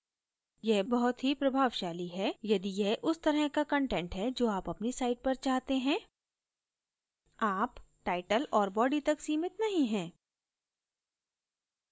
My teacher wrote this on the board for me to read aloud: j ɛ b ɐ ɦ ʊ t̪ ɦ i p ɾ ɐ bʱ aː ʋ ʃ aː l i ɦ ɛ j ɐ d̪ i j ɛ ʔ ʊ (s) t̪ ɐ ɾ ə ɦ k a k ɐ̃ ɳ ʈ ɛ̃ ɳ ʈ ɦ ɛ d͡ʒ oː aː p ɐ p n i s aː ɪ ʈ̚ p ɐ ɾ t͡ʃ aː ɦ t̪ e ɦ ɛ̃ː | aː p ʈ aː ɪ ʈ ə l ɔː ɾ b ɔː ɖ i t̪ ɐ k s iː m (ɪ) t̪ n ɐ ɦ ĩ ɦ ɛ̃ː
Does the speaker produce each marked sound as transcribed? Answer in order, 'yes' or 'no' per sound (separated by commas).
yes, yes